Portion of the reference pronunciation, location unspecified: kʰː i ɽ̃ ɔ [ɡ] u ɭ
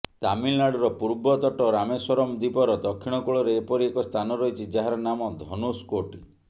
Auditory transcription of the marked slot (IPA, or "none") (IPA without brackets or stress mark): k